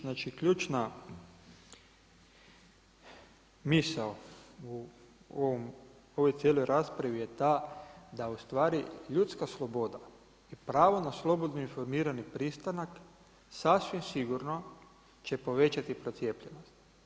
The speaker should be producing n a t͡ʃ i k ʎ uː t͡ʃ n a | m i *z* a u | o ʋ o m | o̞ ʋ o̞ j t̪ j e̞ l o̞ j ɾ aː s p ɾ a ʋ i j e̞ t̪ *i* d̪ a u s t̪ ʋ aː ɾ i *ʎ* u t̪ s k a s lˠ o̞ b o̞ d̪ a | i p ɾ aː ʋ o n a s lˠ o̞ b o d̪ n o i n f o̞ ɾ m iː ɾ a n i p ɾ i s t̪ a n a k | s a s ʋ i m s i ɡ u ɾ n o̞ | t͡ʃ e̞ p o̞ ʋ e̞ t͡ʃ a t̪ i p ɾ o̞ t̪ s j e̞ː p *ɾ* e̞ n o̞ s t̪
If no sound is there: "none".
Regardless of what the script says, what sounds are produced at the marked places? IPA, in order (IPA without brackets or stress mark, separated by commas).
s, a, ʎ, ʎ